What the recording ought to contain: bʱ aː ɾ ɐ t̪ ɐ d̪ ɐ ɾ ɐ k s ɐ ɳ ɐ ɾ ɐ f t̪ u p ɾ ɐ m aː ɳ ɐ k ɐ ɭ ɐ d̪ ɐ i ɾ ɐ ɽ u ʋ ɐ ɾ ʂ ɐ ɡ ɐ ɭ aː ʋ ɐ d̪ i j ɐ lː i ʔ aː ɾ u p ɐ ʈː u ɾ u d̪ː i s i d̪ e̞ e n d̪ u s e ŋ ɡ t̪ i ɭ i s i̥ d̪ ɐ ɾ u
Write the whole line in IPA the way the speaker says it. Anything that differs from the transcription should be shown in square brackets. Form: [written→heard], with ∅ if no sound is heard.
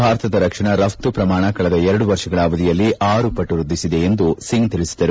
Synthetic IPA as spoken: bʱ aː ɾ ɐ t̪ ɐ d̪ ɐ ɾ ɐ k [s→ʂ] ɐ ɳ ɐ ɾ ɐ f t̪ u p ɾ ɐ m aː ɳ ɐ k ɐ ɭ ɐ d̪ ɐ [i→ɛ] ɾ ɐ ɽ u ʋ ɐ ɾ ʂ ɐ ɡ ɐ ɭ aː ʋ ɐ d̪ i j ɐ lː i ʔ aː ɾ u p ɐ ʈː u ɾ u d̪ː i s i d̪ e̞ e n d̪ u s [e→i] ŋ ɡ t̪ i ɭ i s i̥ d̪ ɐ ɾ u

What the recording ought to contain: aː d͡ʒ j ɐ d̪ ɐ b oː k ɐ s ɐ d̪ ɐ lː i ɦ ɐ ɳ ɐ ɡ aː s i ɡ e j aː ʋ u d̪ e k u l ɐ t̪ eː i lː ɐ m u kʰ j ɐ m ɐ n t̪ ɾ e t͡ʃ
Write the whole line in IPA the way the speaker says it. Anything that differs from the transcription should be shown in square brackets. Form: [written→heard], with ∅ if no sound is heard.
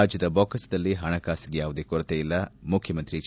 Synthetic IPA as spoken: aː d͡ʒ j ɐ d̪ ɐ b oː k ɐ s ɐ d̪ ɐ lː i ɦ ɐ ɳ ɐ [ɡ→k] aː s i ɡ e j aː ʋ u d̪ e k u [l→ɾ] ɐ t̪ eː i lː ɐ m u kʰ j ɐ m ɐ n t̪ ɾ [e→i] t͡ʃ

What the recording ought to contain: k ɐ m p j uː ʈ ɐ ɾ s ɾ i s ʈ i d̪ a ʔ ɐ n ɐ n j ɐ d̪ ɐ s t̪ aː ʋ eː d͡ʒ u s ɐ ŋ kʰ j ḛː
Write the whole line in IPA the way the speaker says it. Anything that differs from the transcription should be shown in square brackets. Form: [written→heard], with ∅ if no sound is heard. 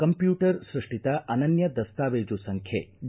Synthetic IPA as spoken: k ɐ m p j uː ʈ ɐ ɾ s ɾ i [s→ʂ] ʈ i [d̪→t̪] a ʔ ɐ n ɐ n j ɐ d̪ ɐ s t̪ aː ʋ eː d͡ʒ u s ɐ ŋ kʰ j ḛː

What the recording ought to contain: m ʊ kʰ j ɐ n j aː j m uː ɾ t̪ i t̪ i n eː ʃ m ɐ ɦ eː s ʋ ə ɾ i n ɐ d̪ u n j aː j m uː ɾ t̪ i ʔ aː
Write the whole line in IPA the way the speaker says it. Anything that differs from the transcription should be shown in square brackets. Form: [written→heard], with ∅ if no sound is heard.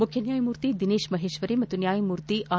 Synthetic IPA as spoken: m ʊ kʰ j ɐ n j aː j m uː ɾ t̪ i [t̪→d̪] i n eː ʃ m ɐ ɦ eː [s→ʃ] ʋ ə ɾ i [n→m] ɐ [d̪→t̪] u n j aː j m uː ɾ t̪ i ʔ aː

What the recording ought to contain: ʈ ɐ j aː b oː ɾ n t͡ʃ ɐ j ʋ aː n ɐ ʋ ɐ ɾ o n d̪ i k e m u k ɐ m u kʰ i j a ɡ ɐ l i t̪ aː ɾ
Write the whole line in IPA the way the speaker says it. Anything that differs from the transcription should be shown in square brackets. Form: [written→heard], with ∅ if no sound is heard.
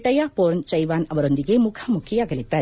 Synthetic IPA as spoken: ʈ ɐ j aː [b→p] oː ɾ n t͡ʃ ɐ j ʋ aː n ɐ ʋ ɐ ɾ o n d̪ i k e m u [k→kʰ] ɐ m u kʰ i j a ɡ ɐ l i t̪ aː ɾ

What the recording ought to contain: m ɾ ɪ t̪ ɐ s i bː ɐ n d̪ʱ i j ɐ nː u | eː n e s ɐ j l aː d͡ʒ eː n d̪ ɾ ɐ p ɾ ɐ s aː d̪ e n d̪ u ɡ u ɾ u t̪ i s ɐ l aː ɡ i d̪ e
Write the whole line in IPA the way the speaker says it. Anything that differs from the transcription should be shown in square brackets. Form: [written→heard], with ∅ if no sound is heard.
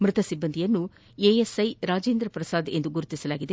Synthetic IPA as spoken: m ɾ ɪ t̪ ɐ s i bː ɐ n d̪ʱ i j ɐ nː u | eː [n→∅] e s ɐ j [l→ɾ] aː d͡ʒ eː n d̪ ɾ ɐ p ɾ ɐ s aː d̪ e n d̪ u ɡ u ɾ u t̪ i s ɐ l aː ɡ i d̪ e

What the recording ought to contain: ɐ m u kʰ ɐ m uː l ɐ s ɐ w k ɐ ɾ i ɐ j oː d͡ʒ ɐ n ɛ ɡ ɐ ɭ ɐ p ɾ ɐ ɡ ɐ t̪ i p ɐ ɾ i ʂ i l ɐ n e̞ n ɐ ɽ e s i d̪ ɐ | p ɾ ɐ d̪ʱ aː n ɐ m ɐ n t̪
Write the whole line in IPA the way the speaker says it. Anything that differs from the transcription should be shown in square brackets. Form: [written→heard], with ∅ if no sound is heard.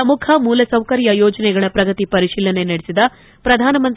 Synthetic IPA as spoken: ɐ m u kʰ ɐ m uː l ɐ s ɐ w k ɐ ɾ [i→j] ɐ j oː d͡ʒ ɐ n ɛ ɡ ɐ ɭ ɐ p ɾ ɐ ɡ ɐ t̪ i p ɐ ɾ i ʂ [i→iː] l ɐ n e̞ n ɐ ɽ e s i d̪ ɐ | p ɾ ɐ d̪ʱ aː n ɐ m ɐ n t̪

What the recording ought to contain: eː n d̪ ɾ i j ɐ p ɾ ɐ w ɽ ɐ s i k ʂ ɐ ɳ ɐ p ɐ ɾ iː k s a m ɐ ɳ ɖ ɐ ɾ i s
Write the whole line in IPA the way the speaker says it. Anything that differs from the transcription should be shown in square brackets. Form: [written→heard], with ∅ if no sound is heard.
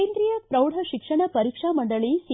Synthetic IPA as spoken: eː n d̪ ɾ i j ɐ p ɾ ɐ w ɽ ɐ [s→ʃ] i k ʂ ɐ ɳ ɐ p ɐ ɾ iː k [s→ʂ] a m ɐ ɳ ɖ ɐ [ɾ→ɭ] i s

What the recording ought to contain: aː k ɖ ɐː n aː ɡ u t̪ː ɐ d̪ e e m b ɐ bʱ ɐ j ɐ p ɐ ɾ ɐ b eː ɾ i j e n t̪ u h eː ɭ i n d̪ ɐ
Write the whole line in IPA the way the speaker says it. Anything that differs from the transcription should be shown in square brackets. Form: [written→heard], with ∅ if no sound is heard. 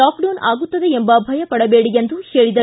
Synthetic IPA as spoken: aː k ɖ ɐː n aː ɡ u t̪ː ɐ d̪ e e m b ɐ bʱ ɐ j ɐ p ɐ [ɾ→ɽ] ɐ b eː [ɾ→ɽ] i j e n [t̪→d̪] u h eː ɭ i [n→∅] d̪ ɐ

